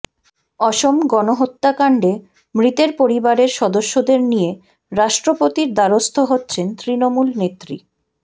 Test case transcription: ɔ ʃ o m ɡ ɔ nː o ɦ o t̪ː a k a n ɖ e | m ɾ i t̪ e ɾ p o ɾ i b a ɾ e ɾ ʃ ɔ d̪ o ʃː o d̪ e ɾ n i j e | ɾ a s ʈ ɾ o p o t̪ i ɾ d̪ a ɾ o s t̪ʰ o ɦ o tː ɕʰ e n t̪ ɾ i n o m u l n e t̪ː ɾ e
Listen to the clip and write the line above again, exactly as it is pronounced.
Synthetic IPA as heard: ɔ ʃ o m ɡ ɔ n o ɦ o t̪ː a k a ɳ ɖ e | m ɾ i t̪ e ɾ p o ɾ i b a ɾ e ɾ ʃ ɔ d̪ o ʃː o d̪ e ɾ n i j e | ɾ a ʃ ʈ ɾ o p o t̪ i ɾ d̪ a ɾ o s t̪ʰ o ɦ o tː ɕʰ e n t̪ ɾ i n o m u l n e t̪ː ɾ i